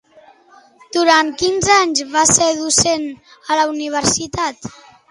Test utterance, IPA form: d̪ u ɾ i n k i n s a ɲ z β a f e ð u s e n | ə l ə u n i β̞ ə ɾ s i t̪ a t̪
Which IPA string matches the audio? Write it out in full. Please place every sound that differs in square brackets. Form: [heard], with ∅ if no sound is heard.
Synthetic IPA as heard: d̪ u ɾ [a] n k i n [z] a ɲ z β a [s] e ð u s e n | ə l ə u n i β̞ ə ɾ s i t̪ a t̪